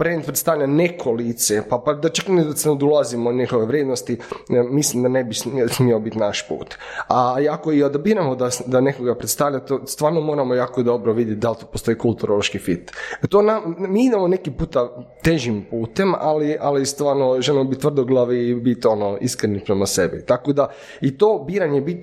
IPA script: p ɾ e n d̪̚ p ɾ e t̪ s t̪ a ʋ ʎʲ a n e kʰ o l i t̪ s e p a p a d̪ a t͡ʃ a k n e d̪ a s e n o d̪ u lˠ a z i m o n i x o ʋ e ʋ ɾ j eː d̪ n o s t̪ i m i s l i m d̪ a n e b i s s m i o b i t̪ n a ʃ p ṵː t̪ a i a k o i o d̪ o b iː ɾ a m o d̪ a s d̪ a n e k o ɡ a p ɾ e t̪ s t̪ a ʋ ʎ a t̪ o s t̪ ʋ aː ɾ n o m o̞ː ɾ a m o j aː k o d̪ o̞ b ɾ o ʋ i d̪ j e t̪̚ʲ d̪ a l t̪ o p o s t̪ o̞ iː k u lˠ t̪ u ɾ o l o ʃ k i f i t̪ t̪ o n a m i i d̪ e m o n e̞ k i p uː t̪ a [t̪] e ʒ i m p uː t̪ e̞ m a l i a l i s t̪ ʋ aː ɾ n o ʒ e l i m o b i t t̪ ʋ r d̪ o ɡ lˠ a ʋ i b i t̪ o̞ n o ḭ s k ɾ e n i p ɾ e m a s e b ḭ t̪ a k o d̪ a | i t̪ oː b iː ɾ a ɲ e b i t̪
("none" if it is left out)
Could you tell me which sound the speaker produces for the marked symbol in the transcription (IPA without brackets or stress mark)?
t̪